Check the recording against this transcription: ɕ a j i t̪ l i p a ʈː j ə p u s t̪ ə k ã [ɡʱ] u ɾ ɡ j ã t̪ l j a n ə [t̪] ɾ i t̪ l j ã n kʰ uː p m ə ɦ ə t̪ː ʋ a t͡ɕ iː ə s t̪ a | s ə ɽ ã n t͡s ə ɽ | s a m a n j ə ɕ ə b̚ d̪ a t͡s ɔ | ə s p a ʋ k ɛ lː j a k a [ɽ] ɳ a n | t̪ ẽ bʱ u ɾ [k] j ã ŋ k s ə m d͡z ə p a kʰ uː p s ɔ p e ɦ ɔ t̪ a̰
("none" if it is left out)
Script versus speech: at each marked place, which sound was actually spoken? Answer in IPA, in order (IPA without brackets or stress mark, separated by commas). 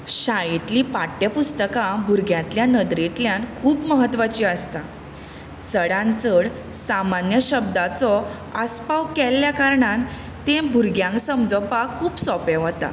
bʱ, d̪, ɾ, ɡ